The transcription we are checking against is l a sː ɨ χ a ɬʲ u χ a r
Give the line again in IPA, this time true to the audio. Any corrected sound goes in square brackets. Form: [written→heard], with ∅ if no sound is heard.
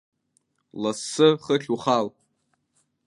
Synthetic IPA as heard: l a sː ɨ χ [a→ə] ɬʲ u χ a [r→l]